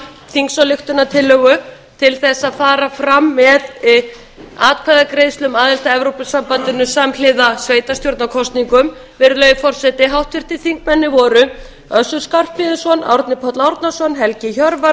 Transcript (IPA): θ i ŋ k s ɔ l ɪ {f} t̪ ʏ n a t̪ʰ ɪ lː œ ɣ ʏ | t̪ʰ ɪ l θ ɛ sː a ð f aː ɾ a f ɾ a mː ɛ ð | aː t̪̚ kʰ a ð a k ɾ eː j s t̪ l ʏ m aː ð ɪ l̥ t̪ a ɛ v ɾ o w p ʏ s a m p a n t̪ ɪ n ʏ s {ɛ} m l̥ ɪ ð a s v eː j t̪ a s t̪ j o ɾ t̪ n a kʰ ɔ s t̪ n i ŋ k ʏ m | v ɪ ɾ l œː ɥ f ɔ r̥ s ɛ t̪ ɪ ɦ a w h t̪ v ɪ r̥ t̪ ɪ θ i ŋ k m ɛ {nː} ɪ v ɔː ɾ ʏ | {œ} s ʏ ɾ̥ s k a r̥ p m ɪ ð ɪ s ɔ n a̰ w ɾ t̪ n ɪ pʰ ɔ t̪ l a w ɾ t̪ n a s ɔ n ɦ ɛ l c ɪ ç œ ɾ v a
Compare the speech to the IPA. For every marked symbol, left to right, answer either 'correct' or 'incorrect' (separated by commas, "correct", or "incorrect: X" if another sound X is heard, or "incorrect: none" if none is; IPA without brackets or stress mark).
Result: incorrect: x, incorrect: a, correct, correct